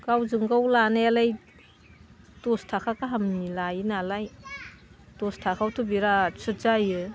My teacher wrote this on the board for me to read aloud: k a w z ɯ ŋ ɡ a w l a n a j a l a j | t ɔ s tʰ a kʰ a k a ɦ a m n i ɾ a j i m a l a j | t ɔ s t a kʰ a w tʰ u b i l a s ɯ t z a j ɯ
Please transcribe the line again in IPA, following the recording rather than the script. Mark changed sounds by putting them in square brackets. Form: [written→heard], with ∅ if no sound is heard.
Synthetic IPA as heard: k a w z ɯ ŋ ɡ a w l a n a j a l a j | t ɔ s tʰ a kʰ a k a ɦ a m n i [ɾ→l] a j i [m→n] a l a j | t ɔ s [t→tʰ] a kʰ a w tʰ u b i [l→ɾ] a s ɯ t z a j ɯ